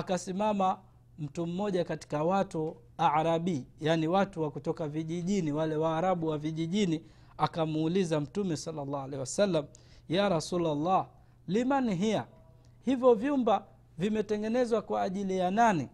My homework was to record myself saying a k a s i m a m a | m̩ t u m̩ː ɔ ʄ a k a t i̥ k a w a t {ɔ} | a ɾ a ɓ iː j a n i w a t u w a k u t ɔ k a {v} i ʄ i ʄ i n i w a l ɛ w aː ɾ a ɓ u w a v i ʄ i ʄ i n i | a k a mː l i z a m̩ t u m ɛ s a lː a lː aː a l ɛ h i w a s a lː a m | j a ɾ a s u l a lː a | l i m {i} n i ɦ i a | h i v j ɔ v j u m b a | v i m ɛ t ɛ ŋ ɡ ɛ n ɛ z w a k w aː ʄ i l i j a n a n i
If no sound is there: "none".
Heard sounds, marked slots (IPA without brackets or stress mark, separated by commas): u, v, a